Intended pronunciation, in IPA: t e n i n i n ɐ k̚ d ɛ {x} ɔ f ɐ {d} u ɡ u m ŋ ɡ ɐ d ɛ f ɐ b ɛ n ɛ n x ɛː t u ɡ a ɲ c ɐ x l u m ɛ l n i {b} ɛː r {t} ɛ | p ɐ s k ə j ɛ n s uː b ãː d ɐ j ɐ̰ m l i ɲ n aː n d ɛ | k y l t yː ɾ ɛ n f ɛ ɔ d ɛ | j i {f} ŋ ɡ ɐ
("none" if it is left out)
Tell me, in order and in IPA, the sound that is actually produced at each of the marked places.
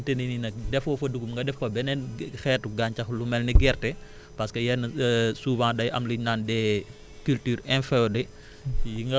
f, d, ɡ, t, none

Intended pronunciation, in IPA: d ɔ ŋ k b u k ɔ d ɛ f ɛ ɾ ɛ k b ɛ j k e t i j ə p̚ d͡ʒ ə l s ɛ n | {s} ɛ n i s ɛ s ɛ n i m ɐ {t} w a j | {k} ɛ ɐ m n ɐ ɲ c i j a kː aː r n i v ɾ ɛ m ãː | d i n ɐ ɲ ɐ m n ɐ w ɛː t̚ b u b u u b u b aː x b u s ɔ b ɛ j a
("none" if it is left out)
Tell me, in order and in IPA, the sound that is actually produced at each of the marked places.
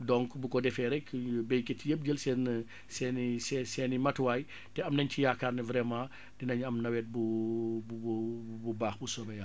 s, t, t

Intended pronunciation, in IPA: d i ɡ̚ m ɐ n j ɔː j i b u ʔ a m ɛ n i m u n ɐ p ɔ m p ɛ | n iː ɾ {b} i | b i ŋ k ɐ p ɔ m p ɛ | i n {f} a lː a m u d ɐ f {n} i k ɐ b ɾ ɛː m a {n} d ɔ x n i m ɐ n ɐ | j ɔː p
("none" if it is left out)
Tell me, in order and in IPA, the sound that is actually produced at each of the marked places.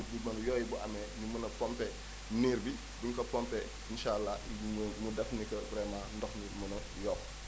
b, ʃ, n, n

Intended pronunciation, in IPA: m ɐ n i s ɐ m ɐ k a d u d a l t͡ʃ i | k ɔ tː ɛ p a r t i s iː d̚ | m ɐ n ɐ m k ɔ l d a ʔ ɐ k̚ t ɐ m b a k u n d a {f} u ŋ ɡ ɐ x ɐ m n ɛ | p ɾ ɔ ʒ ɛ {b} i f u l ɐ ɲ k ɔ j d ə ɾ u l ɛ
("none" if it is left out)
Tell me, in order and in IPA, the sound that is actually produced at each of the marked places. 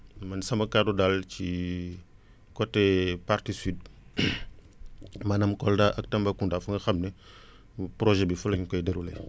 f, b

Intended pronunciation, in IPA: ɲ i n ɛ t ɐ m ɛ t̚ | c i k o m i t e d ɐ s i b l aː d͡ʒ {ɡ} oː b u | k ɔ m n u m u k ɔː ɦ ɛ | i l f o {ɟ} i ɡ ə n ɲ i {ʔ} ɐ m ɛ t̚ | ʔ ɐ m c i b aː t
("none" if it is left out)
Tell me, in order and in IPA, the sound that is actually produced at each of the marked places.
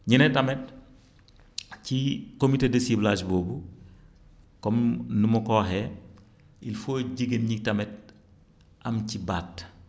b, ɟ, t

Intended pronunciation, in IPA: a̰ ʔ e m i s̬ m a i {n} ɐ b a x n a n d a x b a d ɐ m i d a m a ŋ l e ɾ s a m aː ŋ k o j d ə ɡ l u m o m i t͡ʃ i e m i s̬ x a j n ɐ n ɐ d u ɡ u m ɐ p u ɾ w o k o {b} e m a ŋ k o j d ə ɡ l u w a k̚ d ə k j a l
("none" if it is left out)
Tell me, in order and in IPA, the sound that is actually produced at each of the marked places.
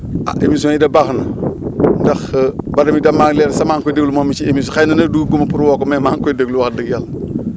d, m

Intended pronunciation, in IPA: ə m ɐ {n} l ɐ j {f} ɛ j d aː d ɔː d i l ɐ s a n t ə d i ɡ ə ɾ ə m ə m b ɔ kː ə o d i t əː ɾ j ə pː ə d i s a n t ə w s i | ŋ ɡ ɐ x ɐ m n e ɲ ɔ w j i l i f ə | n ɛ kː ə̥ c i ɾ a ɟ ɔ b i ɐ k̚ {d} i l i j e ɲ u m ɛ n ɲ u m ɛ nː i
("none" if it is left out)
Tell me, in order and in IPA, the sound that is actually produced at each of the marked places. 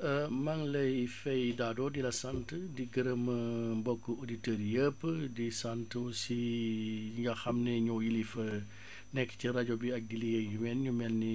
ŋ, f, d

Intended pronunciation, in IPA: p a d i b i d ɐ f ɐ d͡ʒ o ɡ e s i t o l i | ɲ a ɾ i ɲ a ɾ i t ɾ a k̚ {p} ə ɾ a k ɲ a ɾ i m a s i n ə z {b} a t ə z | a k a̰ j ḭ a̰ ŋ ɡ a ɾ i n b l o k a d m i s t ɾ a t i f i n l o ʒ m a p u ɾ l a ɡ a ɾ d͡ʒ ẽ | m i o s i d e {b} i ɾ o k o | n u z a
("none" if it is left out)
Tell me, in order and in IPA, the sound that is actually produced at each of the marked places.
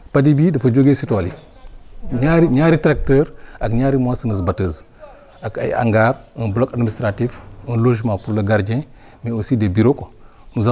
t, b, b

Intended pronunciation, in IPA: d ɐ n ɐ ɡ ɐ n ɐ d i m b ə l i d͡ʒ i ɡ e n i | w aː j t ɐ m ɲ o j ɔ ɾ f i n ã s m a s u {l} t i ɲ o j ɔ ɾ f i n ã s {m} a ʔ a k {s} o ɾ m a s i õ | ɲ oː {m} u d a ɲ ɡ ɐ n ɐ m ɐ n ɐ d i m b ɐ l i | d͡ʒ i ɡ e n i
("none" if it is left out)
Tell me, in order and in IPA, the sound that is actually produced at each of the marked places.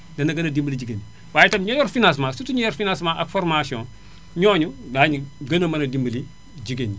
none, m, f, ɲ

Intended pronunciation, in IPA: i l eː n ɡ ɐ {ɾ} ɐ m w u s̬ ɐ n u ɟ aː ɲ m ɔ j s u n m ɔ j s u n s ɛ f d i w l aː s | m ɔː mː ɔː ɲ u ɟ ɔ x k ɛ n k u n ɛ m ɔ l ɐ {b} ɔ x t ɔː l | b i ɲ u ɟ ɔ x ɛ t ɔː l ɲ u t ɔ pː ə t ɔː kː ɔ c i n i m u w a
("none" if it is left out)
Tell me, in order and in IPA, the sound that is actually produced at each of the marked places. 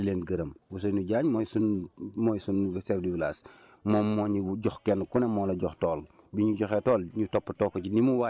ɾ, ɟ

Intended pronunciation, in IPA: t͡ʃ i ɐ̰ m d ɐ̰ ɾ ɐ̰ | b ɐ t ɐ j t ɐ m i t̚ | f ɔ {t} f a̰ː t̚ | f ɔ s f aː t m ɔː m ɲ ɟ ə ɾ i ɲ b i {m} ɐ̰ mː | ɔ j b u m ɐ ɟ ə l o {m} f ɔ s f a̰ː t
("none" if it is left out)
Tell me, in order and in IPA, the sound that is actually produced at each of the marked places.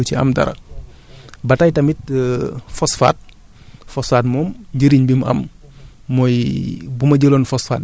s, m, n

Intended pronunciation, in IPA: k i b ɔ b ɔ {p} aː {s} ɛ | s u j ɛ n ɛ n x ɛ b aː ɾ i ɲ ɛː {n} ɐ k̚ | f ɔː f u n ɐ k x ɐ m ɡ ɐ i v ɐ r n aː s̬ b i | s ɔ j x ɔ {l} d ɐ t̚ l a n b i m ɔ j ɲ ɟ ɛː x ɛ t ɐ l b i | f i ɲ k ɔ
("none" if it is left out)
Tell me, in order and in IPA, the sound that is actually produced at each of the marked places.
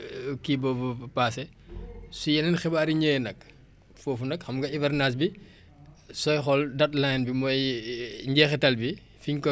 p, s, n, l

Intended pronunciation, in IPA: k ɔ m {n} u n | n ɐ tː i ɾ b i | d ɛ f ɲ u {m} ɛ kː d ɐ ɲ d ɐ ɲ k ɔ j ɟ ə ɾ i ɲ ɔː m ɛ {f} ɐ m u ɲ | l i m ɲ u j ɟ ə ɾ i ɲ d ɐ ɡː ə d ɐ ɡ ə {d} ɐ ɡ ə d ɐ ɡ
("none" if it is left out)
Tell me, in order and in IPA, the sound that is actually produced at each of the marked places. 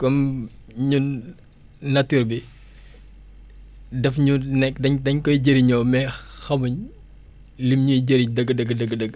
ɲ, n, x, d

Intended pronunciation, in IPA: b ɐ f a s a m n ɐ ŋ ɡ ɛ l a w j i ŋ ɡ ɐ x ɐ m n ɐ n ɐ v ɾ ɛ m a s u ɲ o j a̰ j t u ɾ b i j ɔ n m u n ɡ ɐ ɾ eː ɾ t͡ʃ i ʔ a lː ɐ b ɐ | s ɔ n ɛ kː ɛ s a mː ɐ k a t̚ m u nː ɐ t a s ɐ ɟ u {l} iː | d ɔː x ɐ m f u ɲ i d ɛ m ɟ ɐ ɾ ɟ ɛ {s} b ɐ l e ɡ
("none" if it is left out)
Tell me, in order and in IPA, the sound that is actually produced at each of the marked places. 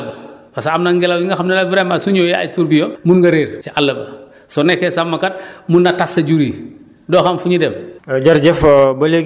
ɾ, f

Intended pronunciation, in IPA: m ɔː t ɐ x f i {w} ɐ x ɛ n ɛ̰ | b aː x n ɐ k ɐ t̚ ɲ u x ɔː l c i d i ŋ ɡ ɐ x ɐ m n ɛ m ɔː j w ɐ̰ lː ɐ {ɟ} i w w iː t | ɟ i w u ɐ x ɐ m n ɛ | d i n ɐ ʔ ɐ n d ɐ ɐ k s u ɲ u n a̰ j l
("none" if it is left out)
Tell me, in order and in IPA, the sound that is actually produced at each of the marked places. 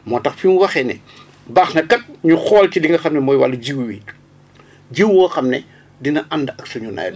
w, ɟ

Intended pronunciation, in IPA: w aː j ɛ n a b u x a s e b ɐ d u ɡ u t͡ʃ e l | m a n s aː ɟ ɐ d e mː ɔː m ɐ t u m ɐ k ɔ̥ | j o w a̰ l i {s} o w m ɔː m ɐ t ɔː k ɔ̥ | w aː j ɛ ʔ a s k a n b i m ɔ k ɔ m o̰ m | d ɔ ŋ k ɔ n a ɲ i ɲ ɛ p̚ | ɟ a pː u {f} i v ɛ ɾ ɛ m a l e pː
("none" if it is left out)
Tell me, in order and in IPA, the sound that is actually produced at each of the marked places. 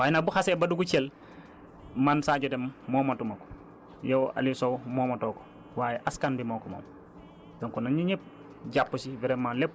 s, s

